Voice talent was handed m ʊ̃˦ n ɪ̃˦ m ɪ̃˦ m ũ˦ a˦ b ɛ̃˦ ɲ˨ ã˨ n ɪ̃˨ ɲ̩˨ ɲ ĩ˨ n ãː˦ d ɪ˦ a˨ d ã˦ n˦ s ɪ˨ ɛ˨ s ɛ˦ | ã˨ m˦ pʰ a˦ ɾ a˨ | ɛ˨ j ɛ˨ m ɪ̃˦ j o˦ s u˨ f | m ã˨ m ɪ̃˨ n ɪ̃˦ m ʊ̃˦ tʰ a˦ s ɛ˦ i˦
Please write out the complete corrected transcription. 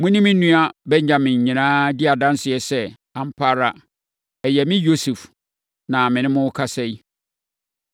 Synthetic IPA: m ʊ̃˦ n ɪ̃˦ m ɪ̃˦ n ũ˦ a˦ b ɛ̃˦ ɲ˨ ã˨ m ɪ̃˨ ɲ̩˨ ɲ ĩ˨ n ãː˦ d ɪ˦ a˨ d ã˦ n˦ s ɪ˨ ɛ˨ s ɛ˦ | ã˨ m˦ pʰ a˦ ɾ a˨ | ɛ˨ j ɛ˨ m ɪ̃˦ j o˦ s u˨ f | n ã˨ m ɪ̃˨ n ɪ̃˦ m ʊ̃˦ kʰ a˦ s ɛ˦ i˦